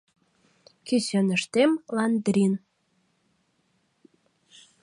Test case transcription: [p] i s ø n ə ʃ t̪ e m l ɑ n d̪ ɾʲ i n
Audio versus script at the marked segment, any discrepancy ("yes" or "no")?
yes